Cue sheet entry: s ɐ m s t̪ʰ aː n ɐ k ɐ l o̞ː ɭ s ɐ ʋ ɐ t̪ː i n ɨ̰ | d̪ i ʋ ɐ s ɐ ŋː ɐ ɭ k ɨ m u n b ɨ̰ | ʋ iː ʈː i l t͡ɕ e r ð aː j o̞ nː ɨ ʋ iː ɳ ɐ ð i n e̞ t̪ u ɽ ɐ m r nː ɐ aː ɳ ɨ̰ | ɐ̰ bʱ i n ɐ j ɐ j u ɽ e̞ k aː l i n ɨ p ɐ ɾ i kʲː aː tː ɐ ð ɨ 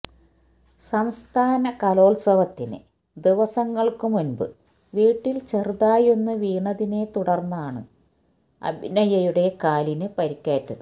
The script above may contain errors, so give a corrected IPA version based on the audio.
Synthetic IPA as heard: s ɐ m s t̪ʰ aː n ɐ k ɐ l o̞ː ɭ s ɐ ʋ ɐ t̪ː i n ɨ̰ | d̪ i ʋ ɐ s ɐ ŋː ɐ ɭ k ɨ m u n b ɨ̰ | ʋ iː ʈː i l t͡ɕ e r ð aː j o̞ nː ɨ ʋ iː ɳ ɐ ð i n e̞ t̪ u ɽ ɐ r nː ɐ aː ɳ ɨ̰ | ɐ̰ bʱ i n ɐ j ɐ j u ɽ e̞ k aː l i n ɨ p ɐ ɾ i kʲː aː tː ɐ ð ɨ